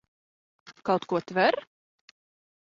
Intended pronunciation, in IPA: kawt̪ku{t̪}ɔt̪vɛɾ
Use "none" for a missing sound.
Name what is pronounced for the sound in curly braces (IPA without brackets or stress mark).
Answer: none